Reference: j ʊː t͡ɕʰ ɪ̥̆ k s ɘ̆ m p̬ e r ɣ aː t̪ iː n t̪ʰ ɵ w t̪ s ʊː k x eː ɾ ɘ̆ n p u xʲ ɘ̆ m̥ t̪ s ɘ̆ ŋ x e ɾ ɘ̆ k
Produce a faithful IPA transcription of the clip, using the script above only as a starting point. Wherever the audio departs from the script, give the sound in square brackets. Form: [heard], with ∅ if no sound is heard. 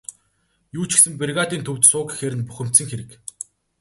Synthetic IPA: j [uː] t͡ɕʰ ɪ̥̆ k s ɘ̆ m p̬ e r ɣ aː t̪ iː n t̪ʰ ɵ w t̪ s ʊː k x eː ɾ ɘ̆ n p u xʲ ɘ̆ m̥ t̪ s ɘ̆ ŋ x e ɾ ɘ̆ k